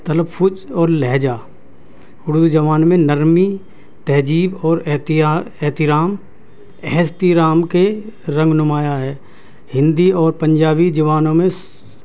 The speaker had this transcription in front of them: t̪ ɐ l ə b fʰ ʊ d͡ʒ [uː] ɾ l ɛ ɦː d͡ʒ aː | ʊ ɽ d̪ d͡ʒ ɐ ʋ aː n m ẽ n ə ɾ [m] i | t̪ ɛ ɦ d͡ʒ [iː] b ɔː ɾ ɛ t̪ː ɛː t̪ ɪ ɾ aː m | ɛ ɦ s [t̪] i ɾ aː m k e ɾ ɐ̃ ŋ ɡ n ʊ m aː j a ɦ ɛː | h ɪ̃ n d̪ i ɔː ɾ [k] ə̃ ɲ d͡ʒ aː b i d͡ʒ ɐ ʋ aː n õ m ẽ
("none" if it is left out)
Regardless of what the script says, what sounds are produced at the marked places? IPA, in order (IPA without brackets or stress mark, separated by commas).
ɔː, m, iː, t̪, p